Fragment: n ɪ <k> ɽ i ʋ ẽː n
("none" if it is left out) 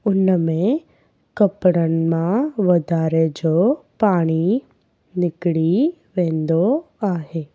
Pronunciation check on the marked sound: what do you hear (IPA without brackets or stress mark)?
k